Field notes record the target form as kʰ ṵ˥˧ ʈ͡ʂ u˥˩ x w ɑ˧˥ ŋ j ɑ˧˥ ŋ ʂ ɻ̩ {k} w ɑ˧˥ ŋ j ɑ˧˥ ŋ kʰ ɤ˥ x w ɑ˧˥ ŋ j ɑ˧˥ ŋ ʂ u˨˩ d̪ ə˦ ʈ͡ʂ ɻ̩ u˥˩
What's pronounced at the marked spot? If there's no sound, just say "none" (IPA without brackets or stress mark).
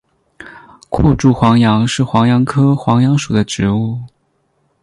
x